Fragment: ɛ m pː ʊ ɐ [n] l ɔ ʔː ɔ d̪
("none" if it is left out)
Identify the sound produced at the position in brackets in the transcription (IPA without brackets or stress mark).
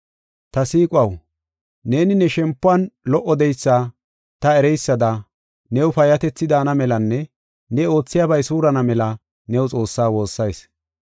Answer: n